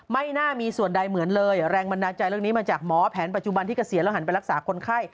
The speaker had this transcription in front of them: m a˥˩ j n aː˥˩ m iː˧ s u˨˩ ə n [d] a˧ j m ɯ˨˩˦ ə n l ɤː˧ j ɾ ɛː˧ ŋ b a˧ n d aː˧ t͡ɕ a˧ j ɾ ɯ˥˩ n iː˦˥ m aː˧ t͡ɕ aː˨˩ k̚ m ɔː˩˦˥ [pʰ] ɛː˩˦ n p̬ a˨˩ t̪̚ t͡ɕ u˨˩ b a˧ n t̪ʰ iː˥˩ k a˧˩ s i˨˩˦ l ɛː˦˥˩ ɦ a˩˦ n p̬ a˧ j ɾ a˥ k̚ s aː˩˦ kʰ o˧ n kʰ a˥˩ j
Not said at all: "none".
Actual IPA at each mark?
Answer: d, pʰ

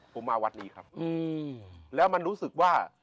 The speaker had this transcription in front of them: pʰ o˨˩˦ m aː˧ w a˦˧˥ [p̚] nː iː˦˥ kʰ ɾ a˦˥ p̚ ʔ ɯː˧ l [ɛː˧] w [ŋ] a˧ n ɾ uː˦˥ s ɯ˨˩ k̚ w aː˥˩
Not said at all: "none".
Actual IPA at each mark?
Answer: none, ɛː˦˥, m

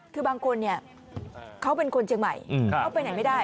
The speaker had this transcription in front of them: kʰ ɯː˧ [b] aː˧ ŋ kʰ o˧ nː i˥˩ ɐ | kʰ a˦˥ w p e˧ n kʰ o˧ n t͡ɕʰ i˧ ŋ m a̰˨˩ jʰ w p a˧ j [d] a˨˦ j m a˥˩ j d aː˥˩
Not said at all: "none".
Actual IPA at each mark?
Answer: b, n

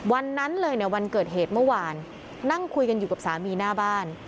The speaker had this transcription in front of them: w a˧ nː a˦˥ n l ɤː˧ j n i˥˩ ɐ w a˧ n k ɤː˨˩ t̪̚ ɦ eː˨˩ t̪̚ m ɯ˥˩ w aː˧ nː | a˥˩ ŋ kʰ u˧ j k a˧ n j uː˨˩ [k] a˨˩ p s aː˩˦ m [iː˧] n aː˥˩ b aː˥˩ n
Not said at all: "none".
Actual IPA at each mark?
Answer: k, iː˧

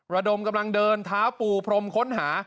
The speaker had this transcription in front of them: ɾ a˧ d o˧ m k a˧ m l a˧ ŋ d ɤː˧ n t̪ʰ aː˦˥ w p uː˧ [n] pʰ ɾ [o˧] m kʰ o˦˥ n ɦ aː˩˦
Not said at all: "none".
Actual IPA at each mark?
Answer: none, o˧

